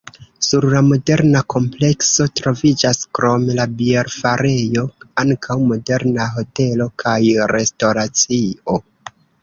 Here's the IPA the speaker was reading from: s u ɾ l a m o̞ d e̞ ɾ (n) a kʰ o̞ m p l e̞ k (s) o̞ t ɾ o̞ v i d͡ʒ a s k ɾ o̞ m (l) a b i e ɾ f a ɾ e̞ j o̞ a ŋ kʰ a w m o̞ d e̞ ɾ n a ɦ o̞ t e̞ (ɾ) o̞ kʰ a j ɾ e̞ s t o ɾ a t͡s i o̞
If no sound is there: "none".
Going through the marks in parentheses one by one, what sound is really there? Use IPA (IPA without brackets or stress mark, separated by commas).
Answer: n, s, l, l